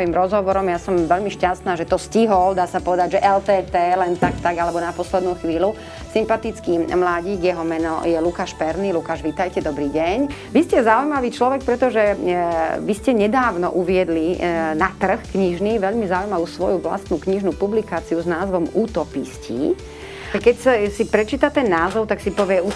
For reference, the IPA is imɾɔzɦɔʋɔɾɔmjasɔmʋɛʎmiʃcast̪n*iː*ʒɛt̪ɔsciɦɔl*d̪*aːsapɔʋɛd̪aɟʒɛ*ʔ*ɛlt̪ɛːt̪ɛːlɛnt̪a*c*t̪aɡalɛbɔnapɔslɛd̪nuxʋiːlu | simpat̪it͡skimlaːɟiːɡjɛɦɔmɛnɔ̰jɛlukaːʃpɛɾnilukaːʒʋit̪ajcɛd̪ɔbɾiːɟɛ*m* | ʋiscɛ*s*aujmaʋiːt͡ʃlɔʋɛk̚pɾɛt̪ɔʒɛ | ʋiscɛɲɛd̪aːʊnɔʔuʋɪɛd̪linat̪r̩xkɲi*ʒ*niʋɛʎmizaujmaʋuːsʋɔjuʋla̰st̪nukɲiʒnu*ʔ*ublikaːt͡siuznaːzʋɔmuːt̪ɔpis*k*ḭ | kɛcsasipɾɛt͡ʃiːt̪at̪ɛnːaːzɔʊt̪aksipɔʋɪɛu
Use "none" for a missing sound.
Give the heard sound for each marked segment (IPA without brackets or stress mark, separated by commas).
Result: aː, d̪, ʔ, k, ɲ, z, ʒ, p, c